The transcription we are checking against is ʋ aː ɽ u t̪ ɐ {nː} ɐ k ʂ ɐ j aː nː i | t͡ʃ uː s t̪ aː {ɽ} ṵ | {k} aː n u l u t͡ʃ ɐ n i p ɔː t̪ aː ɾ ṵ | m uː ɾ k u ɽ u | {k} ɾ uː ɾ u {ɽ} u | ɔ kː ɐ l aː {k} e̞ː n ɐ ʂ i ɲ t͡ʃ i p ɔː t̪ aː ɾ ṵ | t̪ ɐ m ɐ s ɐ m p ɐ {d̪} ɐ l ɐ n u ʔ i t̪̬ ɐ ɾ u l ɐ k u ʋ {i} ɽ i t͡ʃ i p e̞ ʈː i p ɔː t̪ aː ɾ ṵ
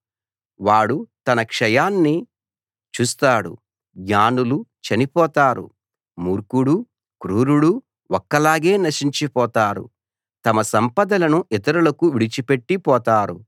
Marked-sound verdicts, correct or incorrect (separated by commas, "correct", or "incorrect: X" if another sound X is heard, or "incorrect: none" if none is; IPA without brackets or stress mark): incorrect: n, correct, incorrect: ɡ, correct, correct, incorrect: ɡ, correct, correct